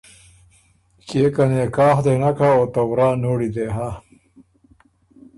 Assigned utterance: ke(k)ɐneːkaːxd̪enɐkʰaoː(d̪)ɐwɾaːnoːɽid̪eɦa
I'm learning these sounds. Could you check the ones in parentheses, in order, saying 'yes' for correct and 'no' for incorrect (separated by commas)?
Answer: yes, no